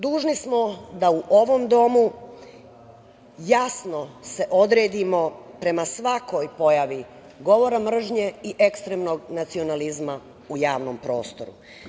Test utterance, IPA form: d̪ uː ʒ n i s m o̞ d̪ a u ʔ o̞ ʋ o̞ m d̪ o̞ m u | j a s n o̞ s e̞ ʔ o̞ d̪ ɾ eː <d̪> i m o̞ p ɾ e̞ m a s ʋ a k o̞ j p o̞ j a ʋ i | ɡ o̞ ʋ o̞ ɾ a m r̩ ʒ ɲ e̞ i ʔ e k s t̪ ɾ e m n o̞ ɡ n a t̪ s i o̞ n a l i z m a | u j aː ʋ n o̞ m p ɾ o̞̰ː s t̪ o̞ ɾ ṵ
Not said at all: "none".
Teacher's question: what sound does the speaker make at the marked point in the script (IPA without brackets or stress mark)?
d̪